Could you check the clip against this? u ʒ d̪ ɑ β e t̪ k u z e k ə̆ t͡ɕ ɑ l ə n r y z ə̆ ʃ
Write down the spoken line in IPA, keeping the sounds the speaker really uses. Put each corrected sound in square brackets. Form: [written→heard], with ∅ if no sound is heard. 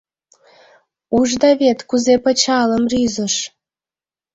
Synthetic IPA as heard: u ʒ d̪ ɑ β e t̪ k u z e [k→p] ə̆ t͡ɕ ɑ l ə [n→m] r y z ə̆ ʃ